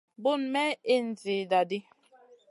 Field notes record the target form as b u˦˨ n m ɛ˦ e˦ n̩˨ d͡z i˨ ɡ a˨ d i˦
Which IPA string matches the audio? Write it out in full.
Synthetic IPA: b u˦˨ n m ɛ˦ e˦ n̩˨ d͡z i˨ d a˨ d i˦